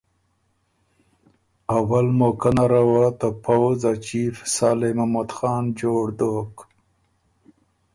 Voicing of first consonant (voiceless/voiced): voiced